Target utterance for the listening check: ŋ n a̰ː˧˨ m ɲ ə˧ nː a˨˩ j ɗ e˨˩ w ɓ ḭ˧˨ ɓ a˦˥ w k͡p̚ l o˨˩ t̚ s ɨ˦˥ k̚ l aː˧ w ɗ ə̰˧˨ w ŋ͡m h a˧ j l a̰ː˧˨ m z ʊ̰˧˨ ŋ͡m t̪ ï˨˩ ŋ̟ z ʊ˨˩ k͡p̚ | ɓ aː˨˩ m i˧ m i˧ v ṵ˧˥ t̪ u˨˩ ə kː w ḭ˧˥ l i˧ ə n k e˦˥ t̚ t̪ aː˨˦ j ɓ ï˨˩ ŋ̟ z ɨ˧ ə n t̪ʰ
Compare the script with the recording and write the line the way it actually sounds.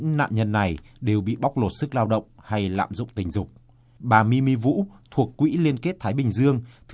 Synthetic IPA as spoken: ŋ n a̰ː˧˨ m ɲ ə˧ nː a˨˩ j ɗ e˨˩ w ɓ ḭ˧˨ ɓ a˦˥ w k͡p̚ l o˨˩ t̚ s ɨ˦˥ k̚ l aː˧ w ɗ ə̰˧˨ w ŋ͡m h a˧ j l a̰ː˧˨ m z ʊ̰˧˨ ŋ͡m t̪ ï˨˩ ŋ̟ z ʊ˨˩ k͡p̚ | ɓ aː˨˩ m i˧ m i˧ v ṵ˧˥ t̪ʰ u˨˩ ə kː w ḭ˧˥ l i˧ ə n k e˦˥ t̚ t̪ʰ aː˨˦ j ɓ ï˨˩ ŋ̟ z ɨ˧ ə ŋ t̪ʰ

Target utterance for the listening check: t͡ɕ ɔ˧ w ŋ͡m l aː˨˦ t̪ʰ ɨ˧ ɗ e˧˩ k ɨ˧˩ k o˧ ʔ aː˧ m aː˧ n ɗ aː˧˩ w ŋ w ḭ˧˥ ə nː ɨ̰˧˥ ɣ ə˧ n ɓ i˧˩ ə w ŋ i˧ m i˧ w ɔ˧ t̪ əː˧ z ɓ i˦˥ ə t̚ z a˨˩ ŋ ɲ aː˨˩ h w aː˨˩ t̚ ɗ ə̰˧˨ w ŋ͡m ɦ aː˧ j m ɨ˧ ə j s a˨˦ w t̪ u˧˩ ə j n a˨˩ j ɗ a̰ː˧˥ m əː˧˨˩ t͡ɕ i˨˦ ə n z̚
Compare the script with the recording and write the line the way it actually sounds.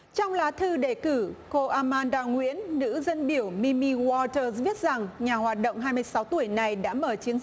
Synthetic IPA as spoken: t͡ɕ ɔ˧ w ŋ͡m l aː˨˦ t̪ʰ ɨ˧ ɗ e˧˩ k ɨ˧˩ k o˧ ʔ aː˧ m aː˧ n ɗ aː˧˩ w ŋ w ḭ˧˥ ə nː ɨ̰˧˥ z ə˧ n ɓ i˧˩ ə w m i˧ m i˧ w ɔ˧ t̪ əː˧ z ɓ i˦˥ ə t̚ z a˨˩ ŋ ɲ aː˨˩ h w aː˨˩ t̚ ɗ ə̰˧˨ w ŋ͡m ɦ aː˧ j m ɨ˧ ə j s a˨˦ w t̪ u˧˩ ə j n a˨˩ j ɗ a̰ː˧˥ m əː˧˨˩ t͡ɕ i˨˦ ə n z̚

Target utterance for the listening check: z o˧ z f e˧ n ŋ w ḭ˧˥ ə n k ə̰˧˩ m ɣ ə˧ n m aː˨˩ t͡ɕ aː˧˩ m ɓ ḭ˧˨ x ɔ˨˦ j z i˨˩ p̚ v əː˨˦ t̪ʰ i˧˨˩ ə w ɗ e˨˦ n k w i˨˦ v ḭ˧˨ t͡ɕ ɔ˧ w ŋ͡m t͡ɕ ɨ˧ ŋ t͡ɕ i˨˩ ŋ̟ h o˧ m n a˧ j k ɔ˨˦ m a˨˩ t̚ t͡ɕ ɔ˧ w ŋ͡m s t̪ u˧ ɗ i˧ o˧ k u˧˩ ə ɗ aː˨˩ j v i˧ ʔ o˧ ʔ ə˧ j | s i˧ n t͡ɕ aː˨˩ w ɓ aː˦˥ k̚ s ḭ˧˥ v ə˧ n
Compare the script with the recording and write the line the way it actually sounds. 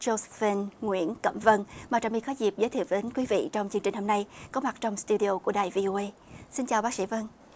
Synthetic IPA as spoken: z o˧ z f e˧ n ŋ w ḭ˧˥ ə n k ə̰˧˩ m v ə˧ n m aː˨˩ t͡ɕ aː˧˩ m ɓ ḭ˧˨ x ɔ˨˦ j z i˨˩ p̚ z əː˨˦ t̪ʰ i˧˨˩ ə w ɗ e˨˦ n k w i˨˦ v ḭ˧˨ t͡ɕ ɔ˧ w ŋ͡m t͡ɕ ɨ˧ ŋ t͡ɕ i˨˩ ŋ̟ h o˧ m n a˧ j k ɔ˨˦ m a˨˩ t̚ t͡ɕ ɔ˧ w ŋ͡m s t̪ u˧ ɗ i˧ o˧ k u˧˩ ə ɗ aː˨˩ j v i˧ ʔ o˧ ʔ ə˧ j | s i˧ n t͡ɕ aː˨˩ w ɓ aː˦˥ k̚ s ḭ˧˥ v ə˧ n

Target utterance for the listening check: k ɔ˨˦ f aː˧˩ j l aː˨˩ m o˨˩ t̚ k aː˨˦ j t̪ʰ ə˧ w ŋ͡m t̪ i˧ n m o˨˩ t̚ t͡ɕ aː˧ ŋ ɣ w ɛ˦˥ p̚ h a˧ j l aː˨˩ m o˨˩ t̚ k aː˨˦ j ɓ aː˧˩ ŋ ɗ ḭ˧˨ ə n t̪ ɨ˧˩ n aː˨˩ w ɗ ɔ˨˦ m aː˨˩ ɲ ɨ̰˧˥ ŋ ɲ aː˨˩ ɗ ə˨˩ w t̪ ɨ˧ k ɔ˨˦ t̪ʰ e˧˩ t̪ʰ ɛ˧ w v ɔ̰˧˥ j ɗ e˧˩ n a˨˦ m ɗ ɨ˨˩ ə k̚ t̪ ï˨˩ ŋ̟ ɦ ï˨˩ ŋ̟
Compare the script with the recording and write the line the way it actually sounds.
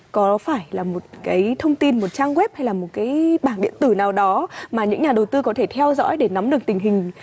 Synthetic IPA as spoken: k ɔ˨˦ f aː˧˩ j l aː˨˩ m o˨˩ t̚ k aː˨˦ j t̪ʰ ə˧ w ŋ͡m t̪ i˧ n m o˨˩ t̚ t͡ɕ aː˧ ŋ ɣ w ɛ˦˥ p̚ h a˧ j l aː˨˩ m o˨˩ t̚ k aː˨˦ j ɓ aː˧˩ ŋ ɗ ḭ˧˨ ə n t̪ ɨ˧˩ n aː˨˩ w ɗ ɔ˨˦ m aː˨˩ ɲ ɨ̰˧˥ ŋ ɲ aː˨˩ ɗ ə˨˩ w t̪ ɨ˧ k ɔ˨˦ t̪ʰ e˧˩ t̪ʰ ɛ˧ w z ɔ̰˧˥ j ɗ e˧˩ n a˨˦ m ɗ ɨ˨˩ ə k̚ t̪ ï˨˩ ŋ̟ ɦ ï˨˩ ŋ̟

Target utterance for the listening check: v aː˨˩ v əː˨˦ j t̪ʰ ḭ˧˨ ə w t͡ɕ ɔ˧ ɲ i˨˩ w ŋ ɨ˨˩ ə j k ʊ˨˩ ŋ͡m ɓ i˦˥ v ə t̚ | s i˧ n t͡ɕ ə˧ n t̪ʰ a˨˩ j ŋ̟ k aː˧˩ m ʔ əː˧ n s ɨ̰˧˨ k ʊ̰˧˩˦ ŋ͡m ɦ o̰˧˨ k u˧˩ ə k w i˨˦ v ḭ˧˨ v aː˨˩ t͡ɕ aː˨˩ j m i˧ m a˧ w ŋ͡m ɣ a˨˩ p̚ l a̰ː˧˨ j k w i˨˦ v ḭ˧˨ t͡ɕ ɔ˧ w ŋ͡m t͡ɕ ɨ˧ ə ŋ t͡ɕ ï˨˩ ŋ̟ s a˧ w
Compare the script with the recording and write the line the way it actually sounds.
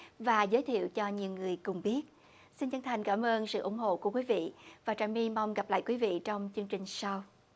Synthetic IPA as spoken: v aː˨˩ z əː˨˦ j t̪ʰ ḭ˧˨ ə w t͡ɕ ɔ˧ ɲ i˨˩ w ŋ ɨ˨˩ ə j k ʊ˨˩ ŋ͡m ɓ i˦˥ ə t̚ | s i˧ n t͡ɕ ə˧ n t̪ʰ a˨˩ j ŋ̟ k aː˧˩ m ʔ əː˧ n s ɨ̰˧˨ ʔ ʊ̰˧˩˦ ŋ͡m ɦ o̰˧˨ k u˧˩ ə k w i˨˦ v ḭ˧˨ v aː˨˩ t͡ɕ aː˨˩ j m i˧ m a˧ w ŋ͡m ɣ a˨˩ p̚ l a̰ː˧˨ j k w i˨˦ v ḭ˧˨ t͡ɕ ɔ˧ w ŋ͡m t͡ɕ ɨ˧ ə ŋ t͡ɕ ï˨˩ ŋ̟ s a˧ w

